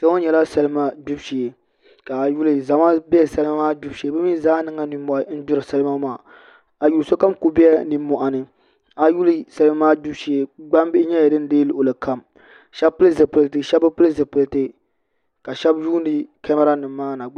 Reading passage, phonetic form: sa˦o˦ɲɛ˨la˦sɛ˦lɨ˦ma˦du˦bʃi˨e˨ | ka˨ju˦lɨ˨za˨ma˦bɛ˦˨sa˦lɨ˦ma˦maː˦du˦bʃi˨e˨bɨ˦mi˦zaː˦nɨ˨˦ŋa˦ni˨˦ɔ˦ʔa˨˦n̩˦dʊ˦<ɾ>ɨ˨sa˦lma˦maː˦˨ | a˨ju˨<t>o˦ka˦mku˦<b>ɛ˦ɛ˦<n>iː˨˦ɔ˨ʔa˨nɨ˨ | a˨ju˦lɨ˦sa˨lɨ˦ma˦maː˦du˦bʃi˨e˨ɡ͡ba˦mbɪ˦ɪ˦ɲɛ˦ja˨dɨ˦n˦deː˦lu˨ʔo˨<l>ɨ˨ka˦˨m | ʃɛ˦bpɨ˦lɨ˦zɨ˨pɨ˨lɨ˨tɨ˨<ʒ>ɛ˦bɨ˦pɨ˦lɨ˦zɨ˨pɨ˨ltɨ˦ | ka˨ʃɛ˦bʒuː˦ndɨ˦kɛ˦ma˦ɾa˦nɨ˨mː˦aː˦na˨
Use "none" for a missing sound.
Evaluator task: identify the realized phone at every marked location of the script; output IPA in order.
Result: ɾ, s, b, n, l, ʃ

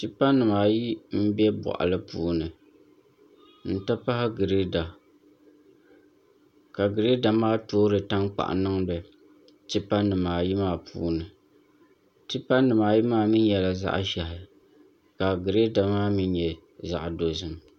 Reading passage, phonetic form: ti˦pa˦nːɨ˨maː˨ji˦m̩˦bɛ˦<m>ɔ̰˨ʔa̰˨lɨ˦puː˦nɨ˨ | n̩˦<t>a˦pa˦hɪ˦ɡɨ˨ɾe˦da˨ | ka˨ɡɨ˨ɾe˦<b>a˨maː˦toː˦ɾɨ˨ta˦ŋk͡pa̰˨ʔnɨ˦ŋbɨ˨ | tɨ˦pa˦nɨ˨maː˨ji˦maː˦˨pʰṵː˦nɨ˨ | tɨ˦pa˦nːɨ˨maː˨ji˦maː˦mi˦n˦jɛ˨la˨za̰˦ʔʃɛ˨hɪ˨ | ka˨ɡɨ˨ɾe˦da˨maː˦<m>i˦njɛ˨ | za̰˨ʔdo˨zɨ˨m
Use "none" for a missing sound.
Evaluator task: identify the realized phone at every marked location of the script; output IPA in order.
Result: b, t, d, m

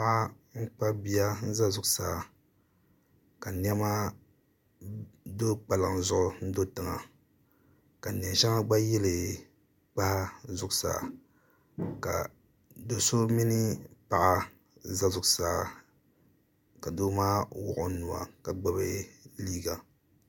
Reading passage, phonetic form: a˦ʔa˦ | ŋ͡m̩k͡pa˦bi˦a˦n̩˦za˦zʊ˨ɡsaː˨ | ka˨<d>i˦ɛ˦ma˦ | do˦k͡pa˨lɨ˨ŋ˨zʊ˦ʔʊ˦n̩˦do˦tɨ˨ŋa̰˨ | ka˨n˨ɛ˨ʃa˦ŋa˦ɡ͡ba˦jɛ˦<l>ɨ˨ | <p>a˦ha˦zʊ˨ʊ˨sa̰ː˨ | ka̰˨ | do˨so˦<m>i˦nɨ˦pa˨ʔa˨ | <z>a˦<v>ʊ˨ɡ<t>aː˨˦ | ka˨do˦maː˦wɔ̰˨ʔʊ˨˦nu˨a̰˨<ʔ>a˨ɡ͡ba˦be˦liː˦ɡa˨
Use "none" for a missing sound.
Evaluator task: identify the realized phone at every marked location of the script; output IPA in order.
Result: n, l, k͡p, m, z, z, s, k

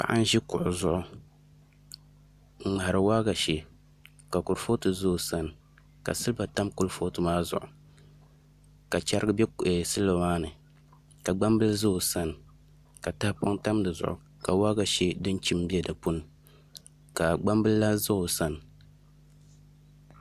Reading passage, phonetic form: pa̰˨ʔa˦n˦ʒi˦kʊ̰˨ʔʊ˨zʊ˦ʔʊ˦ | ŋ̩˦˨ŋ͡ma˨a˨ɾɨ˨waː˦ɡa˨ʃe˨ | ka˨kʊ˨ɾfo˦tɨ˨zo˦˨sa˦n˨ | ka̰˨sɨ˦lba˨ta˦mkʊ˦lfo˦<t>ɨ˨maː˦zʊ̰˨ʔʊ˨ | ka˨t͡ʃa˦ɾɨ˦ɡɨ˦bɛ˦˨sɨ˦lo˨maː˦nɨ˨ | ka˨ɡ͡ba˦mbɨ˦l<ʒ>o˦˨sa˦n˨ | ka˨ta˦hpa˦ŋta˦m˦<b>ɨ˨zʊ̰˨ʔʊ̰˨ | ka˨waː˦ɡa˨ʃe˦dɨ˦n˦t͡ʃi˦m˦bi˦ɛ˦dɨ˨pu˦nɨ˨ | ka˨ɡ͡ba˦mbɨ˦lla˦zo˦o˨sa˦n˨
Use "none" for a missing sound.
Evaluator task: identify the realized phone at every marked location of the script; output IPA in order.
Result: t, z, d

